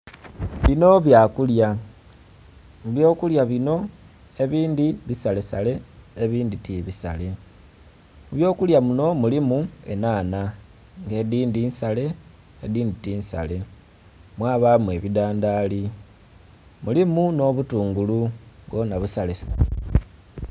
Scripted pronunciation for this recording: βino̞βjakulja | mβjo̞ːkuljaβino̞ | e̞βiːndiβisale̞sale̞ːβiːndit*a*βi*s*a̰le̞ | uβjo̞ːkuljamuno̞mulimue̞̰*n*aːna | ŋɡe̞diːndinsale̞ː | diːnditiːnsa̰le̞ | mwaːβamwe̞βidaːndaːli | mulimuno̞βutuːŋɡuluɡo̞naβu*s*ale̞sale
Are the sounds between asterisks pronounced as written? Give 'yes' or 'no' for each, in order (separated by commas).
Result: no, yes, yes, yes